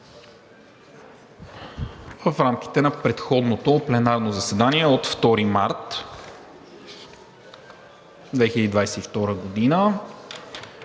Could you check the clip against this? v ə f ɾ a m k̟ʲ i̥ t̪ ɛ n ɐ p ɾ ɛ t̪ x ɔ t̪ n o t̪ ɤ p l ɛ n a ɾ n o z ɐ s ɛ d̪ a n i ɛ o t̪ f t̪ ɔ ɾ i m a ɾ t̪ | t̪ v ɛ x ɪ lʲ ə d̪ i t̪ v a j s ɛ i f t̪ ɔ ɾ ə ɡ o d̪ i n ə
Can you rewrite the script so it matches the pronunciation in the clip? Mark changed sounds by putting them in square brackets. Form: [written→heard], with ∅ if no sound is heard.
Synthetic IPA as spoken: v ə f ɾ a m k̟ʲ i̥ t̪ ɛ n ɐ p ɾ ɛ t̪ x ɔ [t̪→d̪] n o t̪ [ɤ→o] p l ɛ n a ɾ n o z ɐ s ɛ d̪ a n i ɛ o t̪ f t̪ ɔ ɾ i m a ɾ t̪ | [t̪→d̪] v ɛ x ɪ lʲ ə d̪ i [t̪→d̪] v a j s ɛ i f t̪ ɔ ɾ ə ɡ o d̪ i n ə